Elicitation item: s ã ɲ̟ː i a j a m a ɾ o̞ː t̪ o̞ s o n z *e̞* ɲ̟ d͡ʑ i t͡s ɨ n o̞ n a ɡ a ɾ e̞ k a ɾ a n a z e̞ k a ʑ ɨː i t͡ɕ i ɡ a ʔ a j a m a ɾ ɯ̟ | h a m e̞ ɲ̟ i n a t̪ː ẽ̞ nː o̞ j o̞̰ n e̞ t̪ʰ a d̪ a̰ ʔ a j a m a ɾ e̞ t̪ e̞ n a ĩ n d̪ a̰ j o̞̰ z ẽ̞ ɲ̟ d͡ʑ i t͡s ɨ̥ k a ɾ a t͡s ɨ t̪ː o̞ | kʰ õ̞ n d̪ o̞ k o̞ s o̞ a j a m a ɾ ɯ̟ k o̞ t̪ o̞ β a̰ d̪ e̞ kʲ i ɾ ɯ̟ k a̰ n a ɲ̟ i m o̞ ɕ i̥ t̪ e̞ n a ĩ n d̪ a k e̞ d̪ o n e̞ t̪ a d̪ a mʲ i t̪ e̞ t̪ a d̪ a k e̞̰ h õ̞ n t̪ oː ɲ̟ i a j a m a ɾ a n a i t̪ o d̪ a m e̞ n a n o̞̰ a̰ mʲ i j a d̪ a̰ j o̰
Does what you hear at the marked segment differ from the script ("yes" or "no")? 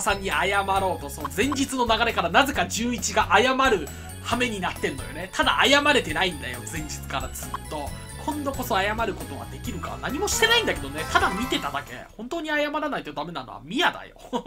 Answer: yes